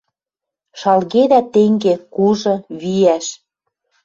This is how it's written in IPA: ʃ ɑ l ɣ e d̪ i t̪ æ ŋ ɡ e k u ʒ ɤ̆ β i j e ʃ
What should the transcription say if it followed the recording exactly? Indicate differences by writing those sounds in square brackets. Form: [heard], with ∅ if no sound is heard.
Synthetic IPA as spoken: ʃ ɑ l ɣ e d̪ [æ] t̪ [e] ŋ ɡ e k u ʒ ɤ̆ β i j [æ] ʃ

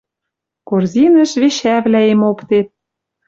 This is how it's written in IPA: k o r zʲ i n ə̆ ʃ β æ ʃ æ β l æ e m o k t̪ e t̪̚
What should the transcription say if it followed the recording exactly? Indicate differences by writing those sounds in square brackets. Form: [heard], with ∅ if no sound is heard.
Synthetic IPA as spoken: k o r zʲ i n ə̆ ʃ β [e] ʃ æ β l æ e m o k t̪ e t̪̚

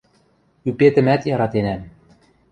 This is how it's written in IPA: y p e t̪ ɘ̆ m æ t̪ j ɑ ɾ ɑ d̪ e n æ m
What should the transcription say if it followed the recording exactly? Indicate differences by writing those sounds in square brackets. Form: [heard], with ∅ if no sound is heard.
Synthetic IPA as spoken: y p e t̪ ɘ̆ m æ t̪ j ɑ ɾ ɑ [t̪] e n æ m

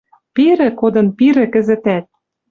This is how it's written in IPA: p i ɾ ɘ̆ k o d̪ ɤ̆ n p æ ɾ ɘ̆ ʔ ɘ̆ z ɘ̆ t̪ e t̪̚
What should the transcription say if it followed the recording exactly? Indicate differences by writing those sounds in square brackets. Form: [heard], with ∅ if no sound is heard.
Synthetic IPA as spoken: p i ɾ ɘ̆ k o d̪ ɤ̆ n p [i] ɾ ɘ̆ [k] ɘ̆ z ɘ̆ t̪ [æ] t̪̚

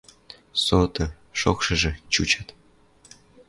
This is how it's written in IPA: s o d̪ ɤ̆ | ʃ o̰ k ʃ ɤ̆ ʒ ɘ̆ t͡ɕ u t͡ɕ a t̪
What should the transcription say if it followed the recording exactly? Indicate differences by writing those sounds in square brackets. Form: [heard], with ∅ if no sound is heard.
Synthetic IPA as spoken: s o [t̪] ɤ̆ | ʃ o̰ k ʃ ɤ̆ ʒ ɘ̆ t͡ɕ u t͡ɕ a t̪

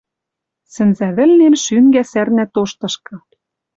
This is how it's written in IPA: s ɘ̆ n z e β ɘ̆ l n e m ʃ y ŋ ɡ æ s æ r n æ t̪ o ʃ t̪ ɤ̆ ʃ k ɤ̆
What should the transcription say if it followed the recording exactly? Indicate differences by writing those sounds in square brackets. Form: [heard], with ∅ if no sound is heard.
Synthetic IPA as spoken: s ɘ̆ n z [æ] β ɘ̆ l n e m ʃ y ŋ ɡ æ s æ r n æ t̪ o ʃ t̪ ɤ̆ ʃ k ɤ̆

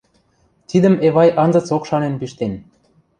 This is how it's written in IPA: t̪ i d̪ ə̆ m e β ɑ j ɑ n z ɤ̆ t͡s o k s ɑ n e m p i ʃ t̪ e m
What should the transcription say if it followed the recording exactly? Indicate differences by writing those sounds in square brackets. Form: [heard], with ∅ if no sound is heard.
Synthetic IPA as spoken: t̪ i d̪ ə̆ m e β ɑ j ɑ n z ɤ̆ t͡s o k [ʃ] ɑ n e [n] p i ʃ t̪ e [n]

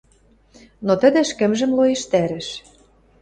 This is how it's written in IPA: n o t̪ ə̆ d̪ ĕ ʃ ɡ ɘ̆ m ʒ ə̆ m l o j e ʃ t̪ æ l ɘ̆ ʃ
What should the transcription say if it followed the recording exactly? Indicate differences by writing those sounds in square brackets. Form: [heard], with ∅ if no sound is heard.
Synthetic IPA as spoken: n o t̪ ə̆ d̪ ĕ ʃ [k] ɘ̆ m ʒ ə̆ m l o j e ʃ t̪ æ [ɾ] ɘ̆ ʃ

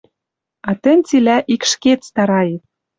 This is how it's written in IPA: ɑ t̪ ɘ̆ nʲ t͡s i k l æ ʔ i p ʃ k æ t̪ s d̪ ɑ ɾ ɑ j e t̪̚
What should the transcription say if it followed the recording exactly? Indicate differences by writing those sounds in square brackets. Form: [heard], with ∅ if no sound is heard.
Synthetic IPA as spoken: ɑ t̪ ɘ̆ nʲ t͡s i [∅] l æ ʔ i [k] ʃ k [e] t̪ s [t̪] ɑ ɾ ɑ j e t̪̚

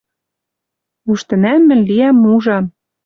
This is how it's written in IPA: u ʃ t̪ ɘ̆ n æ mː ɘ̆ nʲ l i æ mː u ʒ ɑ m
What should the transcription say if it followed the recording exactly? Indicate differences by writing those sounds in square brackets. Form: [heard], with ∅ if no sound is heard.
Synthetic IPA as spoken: u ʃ t̪ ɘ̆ n æ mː ɘ̆ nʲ l i æ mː u ʒ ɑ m

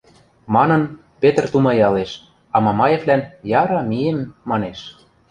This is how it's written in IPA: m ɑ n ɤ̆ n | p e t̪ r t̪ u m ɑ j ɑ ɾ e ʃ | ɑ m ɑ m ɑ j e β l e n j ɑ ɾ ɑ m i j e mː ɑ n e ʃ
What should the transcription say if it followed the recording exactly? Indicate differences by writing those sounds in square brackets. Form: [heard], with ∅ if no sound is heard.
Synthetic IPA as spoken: m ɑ n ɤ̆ n | p e t̪ r t̪ u m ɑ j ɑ [l] e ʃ | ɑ m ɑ m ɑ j e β l [æ] n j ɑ ɾ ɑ m i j e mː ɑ n e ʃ

